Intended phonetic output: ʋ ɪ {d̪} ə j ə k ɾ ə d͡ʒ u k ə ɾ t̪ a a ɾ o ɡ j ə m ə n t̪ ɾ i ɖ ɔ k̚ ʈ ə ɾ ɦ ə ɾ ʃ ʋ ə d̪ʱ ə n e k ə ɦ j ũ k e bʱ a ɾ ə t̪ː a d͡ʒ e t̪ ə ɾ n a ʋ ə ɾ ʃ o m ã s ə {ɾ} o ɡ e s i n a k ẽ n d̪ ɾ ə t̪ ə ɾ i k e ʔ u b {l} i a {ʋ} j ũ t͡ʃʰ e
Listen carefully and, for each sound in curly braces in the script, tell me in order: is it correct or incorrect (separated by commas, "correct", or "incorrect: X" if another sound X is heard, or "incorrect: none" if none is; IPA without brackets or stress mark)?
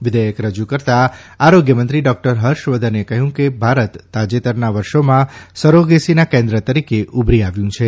correct, correct, incorrect: ɾ, correct